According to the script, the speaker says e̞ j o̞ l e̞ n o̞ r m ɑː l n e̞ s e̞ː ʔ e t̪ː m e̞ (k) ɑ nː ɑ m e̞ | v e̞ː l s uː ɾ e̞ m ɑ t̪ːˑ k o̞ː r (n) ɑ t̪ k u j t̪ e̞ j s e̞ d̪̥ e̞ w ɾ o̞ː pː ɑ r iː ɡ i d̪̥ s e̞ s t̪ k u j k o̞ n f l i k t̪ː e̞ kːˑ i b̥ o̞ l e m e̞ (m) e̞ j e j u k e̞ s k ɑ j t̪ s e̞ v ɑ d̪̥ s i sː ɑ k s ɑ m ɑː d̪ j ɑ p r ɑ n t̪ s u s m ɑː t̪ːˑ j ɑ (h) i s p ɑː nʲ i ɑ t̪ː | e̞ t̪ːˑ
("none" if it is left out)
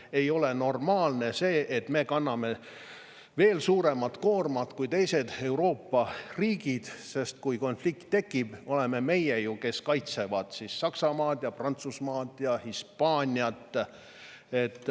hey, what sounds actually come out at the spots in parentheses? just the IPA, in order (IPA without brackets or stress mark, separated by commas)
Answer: k, m, m, h